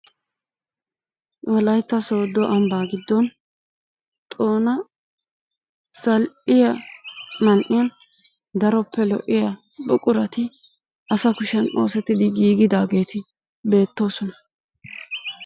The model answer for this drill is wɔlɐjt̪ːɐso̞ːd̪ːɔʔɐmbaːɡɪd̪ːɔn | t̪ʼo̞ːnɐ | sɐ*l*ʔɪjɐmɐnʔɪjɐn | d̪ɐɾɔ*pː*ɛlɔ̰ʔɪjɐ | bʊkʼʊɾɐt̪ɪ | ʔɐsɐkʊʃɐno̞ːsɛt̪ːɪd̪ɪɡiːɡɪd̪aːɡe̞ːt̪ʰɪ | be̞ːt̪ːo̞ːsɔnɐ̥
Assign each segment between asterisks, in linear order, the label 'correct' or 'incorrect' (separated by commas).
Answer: correct, correct